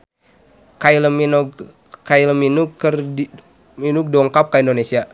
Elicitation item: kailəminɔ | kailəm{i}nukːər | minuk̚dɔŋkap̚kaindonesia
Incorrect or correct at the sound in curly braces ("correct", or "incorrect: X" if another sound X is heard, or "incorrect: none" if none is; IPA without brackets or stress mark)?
correct